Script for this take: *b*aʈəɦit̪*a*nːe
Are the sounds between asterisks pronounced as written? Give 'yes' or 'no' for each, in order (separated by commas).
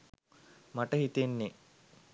no, no